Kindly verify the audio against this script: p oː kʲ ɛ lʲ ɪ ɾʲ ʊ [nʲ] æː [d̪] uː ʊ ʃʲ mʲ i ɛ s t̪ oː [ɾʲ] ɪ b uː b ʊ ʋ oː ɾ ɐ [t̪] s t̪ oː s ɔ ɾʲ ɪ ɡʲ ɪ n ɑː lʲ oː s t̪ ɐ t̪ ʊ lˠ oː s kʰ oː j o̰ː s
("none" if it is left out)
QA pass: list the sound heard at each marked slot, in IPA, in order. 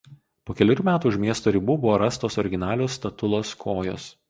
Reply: mʲ, t̪, ɾʲ, none

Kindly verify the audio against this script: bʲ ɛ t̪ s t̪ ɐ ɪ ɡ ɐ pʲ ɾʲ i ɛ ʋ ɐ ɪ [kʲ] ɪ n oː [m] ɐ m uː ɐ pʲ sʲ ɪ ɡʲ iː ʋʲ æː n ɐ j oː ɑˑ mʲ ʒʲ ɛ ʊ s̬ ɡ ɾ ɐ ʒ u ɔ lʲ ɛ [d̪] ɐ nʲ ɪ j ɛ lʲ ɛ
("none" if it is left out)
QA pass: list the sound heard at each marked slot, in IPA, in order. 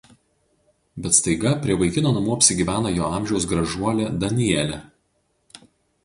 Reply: kʲ, n, d̪

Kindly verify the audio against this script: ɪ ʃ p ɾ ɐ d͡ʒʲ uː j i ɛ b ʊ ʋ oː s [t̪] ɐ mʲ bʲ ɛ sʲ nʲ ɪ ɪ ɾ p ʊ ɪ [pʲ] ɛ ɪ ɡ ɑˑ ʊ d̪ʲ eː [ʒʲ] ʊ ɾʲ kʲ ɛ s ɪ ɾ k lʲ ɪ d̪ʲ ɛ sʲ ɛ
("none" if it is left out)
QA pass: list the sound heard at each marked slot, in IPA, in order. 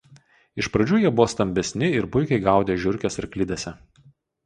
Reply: t̪, kʲ, ʒʲ

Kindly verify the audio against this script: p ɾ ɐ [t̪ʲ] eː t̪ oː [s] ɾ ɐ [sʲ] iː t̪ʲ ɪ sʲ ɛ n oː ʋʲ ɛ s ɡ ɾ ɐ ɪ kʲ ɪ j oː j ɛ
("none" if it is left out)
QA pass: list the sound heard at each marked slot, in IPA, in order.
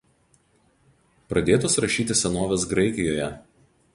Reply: d̪ʲ, s, ʃʲ

